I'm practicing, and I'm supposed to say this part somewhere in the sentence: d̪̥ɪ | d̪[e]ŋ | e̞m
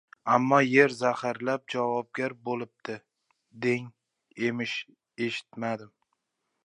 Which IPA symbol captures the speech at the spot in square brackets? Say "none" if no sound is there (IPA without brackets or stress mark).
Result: e